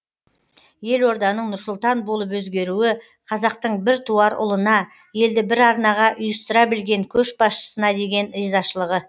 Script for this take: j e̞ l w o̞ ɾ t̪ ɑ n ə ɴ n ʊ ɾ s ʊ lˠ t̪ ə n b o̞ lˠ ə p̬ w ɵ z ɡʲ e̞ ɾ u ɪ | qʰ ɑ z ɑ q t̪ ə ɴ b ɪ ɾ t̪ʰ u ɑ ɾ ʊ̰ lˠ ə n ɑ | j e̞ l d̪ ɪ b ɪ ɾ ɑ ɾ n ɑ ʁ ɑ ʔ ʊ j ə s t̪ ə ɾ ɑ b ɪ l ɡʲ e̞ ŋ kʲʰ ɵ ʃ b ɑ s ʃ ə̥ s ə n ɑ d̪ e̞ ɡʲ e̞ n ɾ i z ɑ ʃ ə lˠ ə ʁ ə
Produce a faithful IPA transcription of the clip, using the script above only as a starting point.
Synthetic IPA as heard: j e̞ l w o̞ ɾ d̪ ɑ n ə ɴ n ʊ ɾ s ʊ lˠ t̪ ɑ n b o̞ lˠ ə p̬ w ɵ z ɡʲ e̞ ɾ u ɪ | qʰ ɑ z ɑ q t̪ ə ɴ b ɪ ɾ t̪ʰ u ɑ ɾ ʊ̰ lˠ ə n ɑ | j e̞ l d̪ ɪ b ɪ ɾ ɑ ɾ n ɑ ʁ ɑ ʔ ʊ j ə s t̪ ə ɾ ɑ b ɪ l ɡʲ e̞ ŋ kʲʰ ɵ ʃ b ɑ s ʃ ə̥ s ə n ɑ d̪ e̞ ɡʲ e̞ n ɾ i z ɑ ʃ ə lˠ ə ʁ ə